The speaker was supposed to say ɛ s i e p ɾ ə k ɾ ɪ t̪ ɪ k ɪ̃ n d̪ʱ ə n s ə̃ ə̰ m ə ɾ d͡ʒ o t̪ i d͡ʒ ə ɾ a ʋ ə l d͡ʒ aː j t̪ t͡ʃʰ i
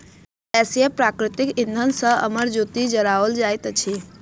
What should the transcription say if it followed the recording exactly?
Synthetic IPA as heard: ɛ s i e p ɾ a k ɾ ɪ t̪ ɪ k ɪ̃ n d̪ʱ ə n s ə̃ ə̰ m ə ɾ d͡ʒ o t̪ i d͡ʒ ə ɾ a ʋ ə l d͡ʒ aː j t̪ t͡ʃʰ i